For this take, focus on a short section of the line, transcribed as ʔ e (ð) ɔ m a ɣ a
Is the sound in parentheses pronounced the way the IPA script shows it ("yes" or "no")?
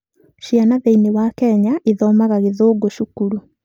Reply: yes